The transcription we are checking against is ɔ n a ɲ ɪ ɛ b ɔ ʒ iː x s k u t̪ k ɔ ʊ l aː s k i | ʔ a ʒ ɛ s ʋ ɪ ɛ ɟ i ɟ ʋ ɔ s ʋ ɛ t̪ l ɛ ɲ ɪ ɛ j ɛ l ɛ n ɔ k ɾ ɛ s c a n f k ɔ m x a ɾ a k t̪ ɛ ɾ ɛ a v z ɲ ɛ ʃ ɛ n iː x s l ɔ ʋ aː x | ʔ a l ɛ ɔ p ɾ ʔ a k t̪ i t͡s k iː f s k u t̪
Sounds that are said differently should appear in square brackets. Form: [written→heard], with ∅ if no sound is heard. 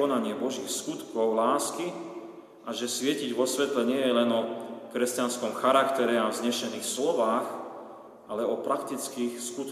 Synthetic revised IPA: ɔ n a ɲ ɪ ɛ b ɔ ʒ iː x s k u t̪ k ɔ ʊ l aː s k i | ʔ a ʒ ɛ s ʋ ɪ ɛ [ɟ→c] i ɟ ʋ ɔ s ʋ ɛ t̪ l ɛ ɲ ɪ ɛ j ɛ l ɛ n ɔ k ɾ ɛ s c a n [f→s] k ɔ m x a ɾ a k t̪ ɛ ɾ ɛ a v z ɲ ɛ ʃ ɛ n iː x s l ɔ ʋ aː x | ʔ a l ɛ ɔ p ɾ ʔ a k t̪ i t͡s k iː [f→x] s k u t̪